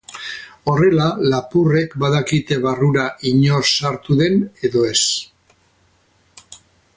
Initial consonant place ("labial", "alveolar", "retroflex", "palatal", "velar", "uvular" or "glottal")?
alveolar